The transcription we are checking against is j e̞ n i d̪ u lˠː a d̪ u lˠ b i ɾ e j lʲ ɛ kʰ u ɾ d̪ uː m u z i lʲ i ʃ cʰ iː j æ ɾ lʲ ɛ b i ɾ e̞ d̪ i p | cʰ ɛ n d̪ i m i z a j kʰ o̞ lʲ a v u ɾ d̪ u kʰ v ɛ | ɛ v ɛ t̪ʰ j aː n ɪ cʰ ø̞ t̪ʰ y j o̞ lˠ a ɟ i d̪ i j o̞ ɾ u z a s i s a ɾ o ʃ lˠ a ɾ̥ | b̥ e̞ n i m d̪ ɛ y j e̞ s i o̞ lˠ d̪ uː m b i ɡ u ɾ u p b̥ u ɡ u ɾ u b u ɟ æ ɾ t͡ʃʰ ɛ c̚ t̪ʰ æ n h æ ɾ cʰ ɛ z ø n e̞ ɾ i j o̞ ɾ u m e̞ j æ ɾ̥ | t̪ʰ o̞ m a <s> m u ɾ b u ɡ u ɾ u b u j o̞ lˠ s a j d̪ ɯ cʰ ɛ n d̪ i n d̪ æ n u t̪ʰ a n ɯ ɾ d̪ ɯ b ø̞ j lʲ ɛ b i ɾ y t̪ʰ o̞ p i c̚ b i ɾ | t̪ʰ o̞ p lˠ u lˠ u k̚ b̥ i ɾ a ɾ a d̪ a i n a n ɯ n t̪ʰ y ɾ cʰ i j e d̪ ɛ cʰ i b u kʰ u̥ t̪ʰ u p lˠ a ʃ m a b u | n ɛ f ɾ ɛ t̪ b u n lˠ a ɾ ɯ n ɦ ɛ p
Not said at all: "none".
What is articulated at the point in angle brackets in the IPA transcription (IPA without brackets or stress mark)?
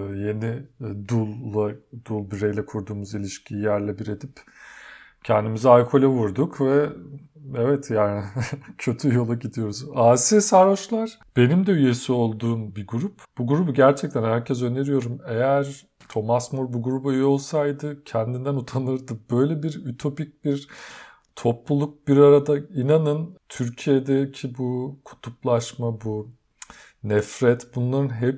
s